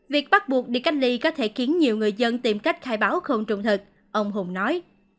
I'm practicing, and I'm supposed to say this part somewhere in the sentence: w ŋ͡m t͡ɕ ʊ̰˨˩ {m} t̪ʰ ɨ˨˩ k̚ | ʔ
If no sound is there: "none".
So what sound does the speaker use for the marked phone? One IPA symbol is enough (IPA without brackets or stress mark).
ŋ͡m